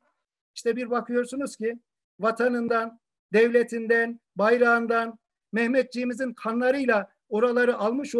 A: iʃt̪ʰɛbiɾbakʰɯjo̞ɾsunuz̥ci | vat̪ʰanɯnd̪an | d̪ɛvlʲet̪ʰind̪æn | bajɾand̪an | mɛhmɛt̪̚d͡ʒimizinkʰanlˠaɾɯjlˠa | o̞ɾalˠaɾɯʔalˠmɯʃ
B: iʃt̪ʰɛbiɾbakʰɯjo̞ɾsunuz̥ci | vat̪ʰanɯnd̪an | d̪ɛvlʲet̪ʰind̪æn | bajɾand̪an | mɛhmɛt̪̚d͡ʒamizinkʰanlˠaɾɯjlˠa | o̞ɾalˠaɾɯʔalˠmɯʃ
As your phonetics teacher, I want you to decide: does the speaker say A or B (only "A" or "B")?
A